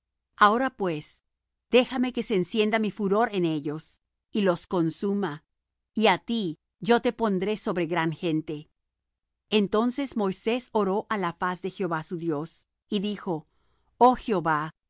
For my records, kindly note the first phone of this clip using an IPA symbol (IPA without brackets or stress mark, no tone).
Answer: a